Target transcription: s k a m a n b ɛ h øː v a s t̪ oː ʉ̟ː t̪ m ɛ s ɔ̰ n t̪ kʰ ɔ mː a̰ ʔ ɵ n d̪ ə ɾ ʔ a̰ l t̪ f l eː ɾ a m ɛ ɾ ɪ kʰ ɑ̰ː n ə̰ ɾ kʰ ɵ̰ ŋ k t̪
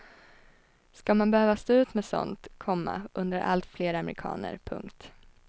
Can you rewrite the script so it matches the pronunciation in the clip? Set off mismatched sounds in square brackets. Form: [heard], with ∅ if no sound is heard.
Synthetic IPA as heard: s k a m a n b ɛ h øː v a s t̪ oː ʉ̟ː t̪ m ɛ s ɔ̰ n t̪ kʰ ɔ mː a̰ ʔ ɵ n d̪ ə ɾ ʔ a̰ l t̪ f l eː ɾ a m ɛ ɾ ɪ kʰ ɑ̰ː n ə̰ ɾ [pʰ] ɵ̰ ŋ k t̪